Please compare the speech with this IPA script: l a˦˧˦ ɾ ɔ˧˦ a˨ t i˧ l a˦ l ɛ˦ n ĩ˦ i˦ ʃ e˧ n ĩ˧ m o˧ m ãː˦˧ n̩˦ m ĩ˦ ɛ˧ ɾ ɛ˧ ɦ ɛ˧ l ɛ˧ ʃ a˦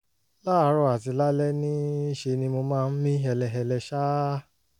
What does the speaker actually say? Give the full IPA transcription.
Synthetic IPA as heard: l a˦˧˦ ɾ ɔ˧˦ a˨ t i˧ l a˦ l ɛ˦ n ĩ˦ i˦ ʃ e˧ n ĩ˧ m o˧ m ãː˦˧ n̩˦ m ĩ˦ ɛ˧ l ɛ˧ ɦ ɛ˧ l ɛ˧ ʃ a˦